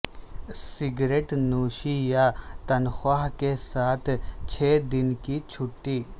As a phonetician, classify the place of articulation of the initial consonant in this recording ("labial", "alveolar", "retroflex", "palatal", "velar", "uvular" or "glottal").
alveolar